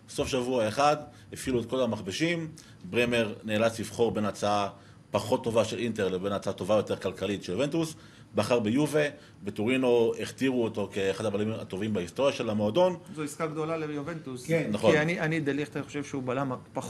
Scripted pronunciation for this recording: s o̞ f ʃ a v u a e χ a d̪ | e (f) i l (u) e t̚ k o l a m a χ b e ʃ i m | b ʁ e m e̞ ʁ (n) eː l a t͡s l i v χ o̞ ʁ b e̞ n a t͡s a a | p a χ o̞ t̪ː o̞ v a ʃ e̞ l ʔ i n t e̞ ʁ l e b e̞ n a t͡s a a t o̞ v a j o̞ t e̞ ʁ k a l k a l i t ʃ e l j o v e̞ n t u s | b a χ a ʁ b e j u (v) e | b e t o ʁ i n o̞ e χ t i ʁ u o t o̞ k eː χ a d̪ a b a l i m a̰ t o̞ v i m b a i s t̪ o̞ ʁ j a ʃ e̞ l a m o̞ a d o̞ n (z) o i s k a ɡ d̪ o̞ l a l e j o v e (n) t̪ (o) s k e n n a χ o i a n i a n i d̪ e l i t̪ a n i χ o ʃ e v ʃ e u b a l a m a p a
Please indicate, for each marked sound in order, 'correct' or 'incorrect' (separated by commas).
correct, correct, correct, correct, correct, correct, incorrect